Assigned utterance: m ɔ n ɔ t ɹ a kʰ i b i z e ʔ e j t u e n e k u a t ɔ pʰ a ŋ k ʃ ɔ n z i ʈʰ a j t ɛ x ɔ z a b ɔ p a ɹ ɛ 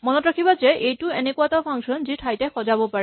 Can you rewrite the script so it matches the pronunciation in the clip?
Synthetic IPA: m ɔ n ɔ t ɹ a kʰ i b a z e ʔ e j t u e n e k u a t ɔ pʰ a ŋ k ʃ ɔ n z i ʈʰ a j t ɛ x ɔ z a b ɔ p a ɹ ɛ